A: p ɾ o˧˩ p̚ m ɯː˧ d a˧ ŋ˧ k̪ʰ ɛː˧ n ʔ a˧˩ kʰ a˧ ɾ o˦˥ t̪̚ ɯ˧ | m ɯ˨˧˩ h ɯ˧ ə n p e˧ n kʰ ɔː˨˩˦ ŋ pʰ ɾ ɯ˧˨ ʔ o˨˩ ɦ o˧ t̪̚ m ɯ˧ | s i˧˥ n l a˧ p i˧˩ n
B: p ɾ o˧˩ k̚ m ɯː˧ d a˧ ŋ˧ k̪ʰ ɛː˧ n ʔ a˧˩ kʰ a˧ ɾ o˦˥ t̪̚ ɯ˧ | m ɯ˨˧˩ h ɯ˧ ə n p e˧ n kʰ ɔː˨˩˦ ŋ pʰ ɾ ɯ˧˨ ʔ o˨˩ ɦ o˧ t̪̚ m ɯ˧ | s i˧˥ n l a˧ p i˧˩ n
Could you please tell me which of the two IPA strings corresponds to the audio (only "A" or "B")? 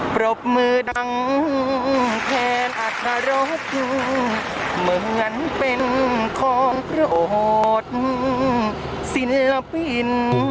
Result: A